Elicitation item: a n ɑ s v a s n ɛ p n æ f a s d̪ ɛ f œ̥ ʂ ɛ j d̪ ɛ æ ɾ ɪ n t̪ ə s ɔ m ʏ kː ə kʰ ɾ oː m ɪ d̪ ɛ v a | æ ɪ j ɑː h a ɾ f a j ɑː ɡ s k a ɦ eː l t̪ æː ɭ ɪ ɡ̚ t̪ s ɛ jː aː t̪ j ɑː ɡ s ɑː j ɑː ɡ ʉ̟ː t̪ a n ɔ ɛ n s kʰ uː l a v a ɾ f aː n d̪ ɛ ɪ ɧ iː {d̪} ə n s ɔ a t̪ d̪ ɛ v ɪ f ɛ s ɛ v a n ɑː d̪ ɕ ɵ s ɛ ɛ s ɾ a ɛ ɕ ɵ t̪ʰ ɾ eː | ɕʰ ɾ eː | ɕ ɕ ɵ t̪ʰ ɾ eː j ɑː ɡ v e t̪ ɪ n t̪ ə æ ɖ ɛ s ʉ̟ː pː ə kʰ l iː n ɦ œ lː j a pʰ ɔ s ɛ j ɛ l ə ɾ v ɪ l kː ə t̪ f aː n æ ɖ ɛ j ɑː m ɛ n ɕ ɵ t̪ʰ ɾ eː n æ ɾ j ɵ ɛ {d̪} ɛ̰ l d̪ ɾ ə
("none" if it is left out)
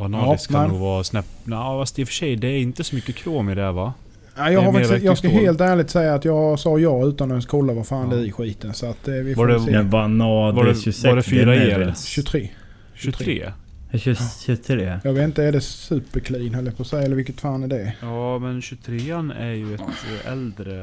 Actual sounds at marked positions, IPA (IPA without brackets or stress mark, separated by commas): t̪, t̪